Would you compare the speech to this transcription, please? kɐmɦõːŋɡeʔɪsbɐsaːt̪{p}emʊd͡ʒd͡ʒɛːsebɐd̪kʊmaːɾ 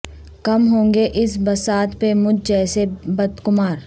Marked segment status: correct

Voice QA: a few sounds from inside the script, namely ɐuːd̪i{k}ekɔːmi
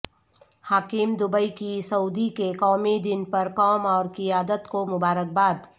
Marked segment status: correct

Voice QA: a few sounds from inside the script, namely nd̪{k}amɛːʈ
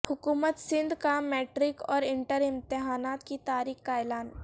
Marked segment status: correct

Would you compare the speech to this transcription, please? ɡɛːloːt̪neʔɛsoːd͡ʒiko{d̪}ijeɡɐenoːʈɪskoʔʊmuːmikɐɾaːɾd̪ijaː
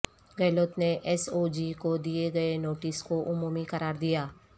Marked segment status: correct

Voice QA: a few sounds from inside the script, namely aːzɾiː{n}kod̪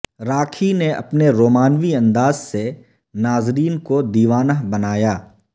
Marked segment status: correct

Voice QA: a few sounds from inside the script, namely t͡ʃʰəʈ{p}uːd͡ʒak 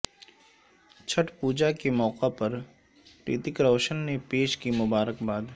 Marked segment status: correct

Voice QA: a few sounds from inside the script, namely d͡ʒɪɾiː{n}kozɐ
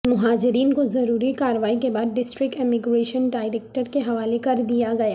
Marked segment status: correct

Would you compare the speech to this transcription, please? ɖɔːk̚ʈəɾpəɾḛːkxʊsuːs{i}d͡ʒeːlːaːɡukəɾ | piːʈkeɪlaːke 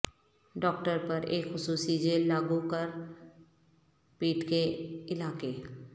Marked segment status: correct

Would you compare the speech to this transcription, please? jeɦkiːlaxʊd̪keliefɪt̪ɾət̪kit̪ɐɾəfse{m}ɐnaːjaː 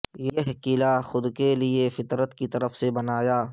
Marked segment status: incorrect: b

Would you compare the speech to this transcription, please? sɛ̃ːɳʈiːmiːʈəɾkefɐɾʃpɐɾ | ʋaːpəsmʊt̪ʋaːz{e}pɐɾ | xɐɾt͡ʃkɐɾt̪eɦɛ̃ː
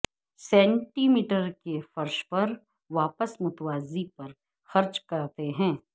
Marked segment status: incorrect: i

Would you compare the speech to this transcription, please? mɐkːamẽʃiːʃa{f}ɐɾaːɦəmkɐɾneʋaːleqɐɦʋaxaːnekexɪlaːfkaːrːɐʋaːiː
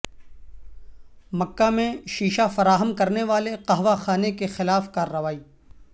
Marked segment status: correct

